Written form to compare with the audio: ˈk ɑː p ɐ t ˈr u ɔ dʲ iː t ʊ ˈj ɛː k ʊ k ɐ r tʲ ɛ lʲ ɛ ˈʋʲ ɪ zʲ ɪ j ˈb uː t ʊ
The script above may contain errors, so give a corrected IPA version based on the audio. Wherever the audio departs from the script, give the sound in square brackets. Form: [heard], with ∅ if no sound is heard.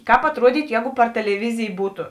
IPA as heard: ˈk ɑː p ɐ t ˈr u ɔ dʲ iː t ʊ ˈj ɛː [ɡ] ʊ [p] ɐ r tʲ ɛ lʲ ɛ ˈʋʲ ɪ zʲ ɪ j ˈb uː t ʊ